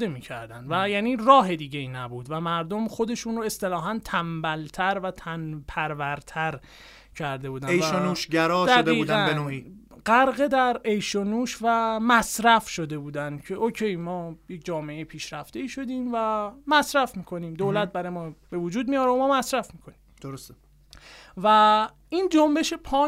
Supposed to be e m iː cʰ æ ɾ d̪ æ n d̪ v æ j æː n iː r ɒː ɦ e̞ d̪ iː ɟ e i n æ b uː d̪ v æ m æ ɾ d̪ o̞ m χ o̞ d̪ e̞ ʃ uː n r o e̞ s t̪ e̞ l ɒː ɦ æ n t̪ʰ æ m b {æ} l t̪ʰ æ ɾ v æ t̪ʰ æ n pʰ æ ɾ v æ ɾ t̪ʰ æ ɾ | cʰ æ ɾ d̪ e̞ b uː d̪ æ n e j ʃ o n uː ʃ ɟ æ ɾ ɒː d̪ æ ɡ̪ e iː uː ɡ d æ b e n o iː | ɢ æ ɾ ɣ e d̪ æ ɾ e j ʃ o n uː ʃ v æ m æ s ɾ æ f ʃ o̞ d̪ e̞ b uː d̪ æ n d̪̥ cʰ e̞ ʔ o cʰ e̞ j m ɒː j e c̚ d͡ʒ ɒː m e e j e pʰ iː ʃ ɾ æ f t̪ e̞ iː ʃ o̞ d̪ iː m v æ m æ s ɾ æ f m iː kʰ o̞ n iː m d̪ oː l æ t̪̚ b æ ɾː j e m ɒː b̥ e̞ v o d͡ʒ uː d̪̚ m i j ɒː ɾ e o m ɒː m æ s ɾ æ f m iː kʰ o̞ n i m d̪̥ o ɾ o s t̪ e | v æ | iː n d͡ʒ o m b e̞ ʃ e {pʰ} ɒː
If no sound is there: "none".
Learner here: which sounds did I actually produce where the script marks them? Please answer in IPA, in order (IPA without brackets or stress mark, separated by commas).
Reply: æ, pʰ